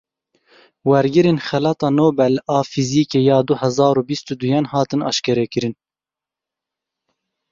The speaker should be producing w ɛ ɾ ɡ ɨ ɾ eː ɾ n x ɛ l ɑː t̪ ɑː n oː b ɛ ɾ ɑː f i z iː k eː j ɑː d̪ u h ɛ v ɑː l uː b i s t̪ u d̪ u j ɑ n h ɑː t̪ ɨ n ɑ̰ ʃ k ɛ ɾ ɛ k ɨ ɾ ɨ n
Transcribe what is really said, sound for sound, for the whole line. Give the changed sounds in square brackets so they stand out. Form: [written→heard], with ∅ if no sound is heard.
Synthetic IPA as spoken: w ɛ ɾ ɡ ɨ ɾ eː [ɾ→∅] n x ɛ l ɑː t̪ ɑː n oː b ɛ [ɾ→l] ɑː f i z iː k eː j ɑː d̪ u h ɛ [v→z] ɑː [l→ɾ] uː b i s t̪ u d̪ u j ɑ n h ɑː t̪ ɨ n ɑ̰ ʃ k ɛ ɾ ɛ k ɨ ɾ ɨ n